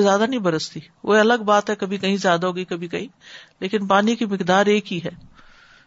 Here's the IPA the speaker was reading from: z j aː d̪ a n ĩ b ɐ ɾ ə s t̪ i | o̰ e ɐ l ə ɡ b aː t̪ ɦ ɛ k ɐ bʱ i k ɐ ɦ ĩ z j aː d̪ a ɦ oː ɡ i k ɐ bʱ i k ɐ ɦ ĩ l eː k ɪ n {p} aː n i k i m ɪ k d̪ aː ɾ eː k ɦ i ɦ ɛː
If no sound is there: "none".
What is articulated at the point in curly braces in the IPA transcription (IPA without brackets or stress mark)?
p